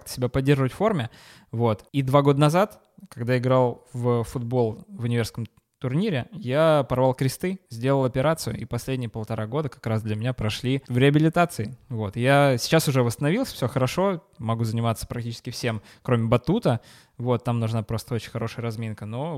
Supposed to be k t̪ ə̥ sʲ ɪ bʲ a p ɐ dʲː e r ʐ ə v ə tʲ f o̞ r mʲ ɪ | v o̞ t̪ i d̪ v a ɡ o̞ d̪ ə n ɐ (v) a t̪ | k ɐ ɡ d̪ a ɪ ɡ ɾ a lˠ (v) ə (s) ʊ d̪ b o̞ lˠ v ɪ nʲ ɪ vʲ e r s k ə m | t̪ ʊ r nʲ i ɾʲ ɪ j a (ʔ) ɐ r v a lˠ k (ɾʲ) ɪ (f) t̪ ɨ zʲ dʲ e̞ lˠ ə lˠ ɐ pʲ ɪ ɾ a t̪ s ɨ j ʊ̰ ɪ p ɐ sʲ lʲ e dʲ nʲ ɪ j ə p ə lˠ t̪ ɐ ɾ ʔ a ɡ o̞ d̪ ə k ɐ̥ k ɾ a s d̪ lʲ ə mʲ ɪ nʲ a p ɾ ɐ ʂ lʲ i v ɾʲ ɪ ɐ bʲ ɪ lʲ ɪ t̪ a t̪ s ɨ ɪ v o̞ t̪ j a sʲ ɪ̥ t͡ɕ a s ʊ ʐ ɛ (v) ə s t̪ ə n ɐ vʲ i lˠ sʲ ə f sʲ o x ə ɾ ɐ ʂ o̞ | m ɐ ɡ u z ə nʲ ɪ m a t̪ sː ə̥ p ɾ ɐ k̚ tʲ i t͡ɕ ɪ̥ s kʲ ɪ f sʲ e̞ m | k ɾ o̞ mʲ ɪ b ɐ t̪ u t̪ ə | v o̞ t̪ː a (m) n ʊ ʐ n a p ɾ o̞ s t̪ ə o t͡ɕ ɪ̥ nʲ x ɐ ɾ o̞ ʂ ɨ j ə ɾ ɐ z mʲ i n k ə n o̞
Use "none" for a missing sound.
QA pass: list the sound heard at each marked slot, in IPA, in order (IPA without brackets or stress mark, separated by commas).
z, v, f, p, ɾʲ, s, v, m